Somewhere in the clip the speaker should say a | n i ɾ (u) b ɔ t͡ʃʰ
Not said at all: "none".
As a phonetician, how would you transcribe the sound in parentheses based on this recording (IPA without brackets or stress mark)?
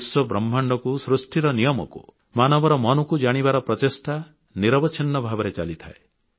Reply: ɔ